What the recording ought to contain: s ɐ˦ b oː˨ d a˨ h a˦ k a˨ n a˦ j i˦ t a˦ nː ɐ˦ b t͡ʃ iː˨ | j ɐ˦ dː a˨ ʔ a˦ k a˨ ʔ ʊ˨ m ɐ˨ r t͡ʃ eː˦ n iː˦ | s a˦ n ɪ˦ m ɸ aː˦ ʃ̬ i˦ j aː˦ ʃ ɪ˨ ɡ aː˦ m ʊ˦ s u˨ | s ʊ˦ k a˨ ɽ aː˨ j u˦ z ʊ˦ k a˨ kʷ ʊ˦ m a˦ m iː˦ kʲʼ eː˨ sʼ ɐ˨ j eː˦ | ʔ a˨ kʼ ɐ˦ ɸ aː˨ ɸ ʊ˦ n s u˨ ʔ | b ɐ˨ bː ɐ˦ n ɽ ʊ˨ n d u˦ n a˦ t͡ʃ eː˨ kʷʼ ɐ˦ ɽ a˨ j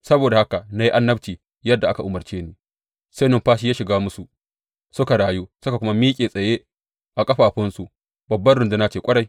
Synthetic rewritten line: s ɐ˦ b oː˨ d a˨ h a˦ k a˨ n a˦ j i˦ ʔ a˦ nː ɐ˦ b t͡ʃ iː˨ | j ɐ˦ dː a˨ ʔ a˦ k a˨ ʔ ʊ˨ m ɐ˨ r t͡ʃ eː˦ n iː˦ | s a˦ n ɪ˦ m ɸ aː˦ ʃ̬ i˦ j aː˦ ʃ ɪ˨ ɡ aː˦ m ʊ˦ s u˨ | s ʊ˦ k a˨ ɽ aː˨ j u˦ s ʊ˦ k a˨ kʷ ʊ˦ m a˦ m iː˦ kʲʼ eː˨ sʼ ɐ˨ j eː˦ | ʔ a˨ kʼ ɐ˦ ɸ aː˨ ɸ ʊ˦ n s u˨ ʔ | b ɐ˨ bː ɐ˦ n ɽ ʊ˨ n d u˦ n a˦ t͡ʃ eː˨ kʷʼ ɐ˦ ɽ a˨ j

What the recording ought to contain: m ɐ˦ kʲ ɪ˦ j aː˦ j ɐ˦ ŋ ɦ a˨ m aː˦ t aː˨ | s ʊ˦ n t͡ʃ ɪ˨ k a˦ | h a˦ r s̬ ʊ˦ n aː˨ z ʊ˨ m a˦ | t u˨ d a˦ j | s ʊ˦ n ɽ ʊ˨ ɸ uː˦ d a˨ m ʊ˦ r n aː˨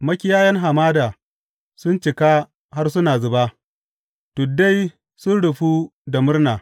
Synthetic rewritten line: m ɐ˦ kʲ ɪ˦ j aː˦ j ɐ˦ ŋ ɦ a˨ m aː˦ d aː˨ | s ʊ˦ n t͡ʃ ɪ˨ k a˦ | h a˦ r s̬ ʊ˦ n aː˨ z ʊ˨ b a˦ | t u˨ d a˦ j | s ʊ˦ n ɽ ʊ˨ ɸ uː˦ d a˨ m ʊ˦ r n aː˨

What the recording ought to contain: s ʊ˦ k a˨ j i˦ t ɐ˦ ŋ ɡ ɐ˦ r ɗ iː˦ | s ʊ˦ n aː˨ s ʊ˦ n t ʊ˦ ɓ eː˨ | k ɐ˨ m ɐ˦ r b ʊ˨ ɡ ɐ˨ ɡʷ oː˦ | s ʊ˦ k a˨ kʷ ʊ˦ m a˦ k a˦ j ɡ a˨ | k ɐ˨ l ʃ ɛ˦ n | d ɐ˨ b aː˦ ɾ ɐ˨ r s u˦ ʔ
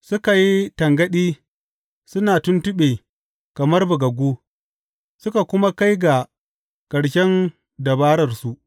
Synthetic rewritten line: s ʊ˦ k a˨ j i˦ t ɐ˨ ŋ ɡ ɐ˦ ɗ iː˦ | s ʊ˦ n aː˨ t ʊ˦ n t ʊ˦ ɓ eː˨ | k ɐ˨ m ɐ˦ r b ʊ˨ ɡ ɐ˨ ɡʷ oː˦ | s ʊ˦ k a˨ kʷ ʊ˦ m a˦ k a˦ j ɡ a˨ | k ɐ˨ ɽ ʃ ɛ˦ n | d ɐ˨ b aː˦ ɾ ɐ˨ r s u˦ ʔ

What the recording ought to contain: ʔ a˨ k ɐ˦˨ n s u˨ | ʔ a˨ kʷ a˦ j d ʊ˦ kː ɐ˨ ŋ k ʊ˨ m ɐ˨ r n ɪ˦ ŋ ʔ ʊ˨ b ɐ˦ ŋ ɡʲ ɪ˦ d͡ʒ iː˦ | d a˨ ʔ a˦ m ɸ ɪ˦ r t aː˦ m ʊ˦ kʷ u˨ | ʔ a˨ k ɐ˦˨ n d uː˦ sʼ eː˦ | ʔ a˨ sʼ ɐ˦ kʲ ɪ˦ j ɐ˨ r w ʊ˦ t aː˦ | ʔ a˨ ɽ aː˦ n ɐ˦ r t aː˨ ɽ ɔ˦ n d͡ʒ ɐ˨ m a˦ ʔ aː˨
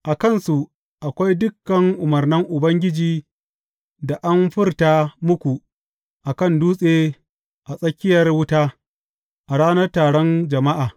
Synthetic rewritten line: ʔ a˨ k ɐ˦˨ n s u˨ | ʔ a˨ kʷ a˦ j d ʊ˦ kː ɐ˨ ŋ ʔ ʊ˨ m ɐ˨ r n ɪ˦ ŋ ʔ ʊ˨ b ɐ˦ ŋ ɡʲ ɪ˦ d͡ʒ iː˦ | d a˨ ʔ a˦ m ɸ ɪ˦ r t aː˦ m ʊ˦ kʷ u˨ | ʔ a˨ k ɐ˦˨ n d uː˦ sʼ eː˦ | ʔ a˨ sʼ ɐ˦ kʲ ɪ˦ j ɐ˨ r w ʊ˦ t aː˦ | ʔ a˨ ɽ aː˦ n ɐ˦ r t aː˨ ɽ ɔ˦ n d͡ʒ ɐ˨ m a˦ ʔ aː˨

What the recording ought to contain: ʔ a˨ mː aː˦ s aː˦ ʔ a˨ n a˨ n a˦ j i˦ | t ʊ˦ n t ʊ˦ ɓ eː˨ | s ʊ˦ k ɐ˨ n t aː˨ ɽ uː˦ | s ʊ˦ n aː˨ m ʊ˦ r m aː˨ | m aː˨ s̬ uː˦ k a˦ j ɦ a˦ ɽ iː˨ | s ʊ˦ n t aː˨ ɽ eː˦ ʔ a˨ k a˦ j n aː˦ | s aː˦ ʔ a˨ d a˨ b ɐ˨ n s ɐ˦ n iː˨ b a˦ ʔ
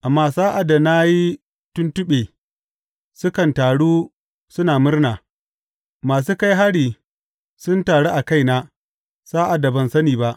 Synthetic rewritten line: ʔ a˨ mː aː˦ s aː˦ ʔ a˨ d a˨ n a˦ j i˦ | t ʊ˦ n t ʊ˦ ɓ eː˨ | s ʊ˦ k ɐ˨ n t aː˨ ɽ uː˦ | s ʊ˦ n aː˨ m ʊ˦ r n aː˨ | m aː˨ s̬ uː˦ k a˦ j ɦ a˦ ɽ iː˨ | s ʊ˦ n t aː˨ ɽ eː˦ ʔ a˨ k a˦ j n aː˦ | s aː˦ ʔ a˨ d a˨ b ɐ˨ n s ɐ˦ n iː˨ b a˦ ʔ

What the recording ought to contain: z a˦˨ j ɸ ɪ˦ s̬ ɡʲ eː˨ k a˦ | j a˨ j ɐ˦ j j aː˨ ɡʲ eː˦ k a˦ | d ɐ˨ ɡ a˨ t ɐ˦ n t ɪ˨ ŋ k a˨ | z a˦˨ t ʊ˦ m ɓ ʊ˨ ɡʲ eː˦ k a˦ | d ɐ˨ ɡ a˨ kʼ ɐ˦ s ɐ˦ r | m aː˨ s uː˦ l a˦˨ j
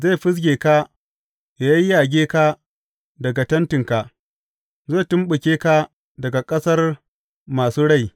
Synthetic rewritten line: z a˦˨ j ɸ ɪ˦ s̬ ɡʲ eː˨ k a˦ | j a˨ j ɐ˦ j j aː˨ ɡʲ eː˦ k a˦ | d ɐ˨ ɡ a˨ t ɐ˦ n t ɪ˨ ŋ k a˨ | z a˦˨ t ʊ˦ m ɓ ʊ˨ kʲ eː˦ k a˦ | d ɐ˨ ɡ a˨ kʼ ɐ˦ s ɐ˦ r | m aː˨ s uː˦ ɽ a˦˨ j

